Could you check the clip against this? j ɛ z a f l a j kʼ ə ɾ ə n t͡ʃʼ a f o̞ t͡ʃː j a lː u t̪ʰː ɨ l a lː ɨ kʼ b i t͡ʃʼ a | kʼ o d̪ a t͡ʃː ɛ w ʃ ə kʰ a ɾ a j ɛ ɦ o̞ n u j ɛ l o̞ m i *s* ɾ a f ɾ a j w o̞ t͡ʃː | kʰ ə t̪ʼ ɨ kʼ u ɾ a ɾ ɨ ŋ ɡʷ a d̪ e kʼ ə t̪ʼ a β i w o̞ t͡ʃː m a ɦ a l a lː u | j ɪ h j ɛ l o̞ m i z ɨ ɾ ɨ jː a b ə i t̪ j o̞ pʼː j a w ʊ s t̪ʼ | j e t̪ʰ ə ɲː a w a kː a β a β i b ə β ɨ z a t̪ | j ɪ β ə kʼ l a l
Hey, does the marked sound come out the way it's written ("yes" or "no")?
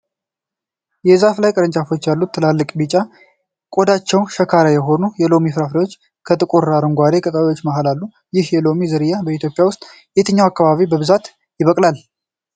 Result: no